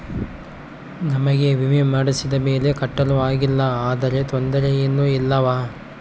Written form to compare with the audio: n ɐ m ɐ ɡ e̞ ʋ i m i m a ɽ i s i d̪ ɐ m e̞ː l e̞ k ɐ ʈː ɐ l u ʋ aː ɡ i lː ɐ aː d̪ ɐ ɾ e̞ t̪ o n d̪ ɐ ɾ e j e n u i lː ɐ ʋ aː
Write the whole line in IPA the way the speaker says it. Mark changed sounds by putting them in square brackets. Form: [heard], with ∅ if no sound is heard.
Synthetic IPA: n ɐ m ɐ ɡ e̞ ʋ i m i m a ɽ i s i d̪ ɐ m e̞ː l e̞ k ɐ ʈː ɐ l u ʋ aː ɡ i lː ɐ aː d̪ ɐ ɾ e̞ t̪ o n d̪ ɐ ɾ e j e [nː] u i lː ɐ ʋ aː